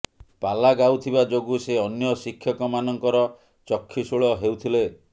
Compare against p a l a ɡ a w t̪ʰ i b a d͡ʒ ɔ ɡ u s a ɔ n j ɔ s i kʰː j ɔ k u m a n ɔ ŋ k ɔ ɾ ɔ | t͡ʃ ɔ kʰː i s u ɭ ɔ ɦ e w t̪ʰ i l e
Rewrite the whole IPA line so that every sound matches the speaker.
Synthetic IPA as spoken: p a l a ɡ a w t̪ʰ i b a d͡ʒ o ɡ u s e ɔ n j ɔ s i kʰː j ɔ k ɔ m a n ɔ ŋ k ɔ ɾ ɔ | t͡ʃ ɔ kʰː i s u ɭ ɔ ɦ e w t̪ʰ i l e